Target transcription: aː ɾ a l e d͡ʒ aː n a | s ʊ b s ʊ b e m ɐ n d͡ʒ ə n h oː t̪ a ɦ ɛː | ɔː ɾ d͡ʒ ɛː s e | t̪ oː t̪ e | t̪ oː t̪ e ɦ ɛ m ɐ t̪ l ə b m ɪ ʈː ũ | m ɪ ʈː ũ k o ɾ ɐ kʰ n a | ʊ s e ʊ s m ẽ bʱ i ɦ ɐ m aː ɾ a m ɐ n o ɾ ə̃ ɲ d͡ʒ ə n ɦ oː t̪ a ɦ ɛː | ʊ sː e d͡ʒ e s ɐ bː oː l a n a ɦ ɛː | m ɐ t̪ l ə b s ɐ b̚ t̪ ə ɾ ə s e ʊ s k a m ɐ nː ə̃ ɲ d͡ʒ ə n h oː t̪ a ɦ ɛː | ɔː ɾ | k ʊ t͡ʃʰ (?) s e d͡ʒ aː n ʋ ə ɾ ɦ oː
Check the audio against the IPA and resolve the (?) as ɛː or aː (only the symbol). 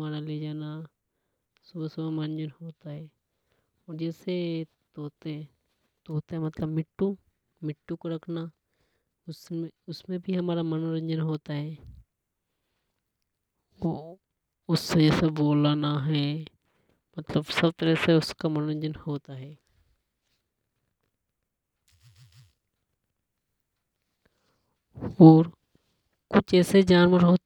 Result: ɛː